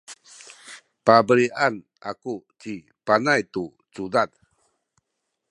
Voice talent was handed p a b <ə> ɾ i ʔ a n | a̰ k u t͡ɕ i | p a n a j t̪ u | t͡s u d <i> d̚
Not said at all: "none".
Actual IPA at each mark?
ə, a

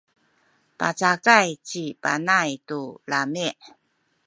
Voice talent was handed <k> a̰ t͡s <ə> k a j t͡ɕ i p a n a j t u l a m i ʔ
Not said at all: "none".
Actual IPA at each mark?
p, a

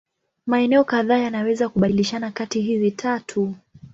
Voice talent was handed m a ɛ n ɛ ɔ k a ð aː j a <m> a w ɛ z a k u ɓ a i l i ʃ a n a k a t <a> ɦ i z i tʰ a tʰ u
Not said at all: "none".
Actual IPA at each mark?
n, i

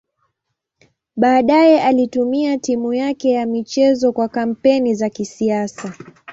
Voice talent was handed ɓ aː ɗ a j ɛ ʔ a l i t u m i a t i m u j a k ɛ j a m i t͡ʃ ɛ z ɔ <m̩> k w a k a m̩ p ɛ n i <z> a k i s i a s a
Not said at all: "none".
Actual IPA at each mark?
none, z

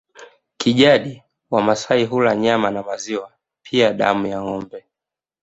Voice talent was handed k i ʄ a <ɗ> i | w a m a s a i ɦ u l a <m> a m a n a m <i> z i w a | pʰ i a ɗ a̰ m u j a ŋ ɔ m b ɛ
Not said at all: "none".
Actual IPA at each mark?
ɗ, ɲ, a

